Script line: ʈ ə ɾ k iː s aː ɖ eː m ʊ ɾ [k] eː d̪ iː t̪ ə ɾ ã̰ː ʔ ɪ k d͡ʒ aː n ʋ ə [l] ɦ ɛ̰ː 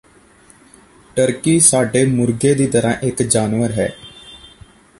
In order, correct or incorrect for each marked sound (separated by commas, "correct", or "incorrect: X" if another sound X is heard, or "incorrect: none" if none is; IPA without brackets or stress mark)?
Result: incorrect: ɡ, incorrect: ɾ